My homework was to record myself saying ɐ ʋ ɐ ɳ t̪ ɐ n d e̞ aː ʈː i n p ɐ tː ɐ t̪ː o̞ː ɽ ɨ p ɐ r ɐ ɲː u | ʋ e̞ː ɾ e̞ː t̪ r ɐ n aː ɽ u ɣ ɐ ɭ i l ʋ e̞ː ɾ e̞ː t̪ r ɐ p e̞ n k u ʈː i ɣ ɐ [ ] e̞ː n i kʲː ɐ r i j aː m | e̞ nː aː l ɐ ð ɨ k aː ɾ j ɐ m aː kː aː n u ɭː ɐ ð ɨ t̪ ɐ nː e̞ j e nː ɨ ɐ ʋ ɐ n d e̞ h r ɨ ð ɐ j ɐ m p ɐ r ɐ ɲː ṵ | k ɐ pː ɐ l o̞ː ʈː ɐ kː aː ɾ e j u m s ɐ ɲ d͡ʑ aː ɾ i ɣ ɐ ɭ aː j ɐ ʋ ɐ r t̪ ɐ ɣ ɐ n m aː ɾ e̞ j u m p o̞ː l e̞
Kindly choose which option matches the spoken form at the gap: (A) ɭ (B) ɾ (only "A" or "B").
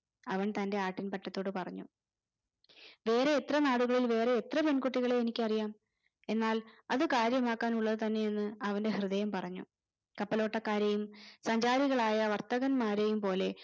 A